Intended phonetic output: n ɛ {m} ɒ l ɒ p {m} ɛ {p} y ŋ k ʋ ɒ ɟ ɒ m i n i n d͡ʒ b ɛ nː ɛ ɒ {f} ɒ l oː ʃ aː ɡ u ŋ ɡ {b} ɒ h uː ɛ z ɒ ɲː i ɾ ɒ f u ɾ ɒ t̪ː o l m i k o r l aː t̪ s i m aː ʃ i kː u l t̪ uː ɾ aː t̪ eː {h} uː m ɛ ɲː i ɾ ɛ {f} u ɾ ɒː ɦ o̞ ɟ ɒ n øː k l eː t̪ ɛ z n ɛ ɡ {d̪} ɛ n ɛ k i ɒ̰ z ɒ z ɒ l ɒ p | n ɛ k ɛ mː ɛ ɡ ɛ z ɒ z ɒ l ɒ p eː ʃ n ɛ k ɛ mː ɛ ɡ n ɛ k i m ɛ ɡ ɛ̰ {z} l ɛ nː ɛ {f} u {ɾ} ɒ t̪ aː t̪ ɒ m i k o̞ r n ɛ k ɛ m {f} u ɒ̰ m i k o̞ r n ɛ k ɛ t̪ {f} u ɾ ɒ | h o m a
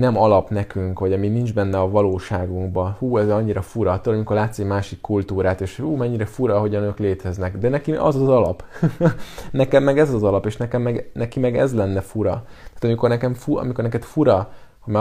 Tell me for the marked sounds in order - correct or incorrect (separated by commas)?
correct, incorrect, incorrect, incorrect, correct, incorrect, correct, correct, correct, correct, correct, correct, correct